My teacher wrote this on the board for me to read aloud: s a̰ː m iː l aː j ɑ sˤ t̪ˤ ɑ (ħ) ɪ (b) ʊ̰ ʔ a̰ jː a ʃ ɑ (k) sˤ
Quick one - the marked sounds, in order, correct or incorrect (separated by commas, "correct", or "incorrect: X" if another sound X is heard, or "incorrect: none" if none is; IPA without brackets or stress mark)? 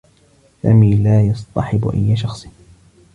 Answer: correct, correct, incorrect: x